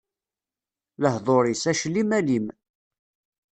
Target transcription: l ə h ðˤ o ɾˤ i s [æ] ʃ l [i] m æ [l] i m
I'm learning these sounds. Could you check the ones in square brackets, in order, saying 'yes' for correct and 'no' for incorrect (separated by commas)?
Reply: yes, yes, yes